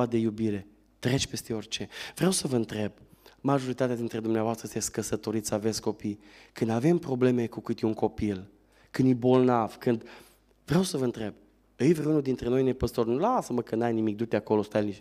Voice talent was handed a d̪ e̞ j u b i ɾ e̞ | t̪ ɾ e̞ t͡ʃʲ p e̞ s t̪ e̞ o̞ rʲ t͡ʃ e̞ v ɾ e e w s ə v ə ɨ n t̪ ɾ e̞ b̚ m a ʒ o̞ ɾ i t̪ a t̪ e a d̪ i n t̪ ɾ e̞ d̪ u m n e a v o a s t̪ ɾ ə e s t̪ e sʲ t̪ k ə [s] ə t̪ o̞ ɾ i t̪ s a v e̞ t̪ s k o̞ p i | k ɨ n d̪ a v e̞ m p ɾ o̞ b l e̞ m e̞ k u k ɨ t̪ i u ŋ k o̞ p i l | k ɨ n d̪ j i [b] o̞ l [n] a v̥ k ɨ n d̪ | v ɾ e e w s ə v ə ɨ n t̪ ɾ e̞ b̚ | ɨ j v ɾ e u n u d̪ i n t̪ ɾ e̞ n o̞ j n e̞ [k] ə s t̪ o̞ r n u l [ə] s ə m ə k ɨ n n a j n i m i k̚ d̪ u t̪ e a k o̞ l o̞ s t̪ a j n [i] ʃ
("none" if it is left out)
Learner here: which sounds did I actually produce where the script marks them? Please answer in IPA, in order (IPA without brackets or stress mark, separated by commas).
s, b, n, p, a, i